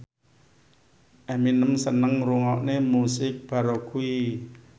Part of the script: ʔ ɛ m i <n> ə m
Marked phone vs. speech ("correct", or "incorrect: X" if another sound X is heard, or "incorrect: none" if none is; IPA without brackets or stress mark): correct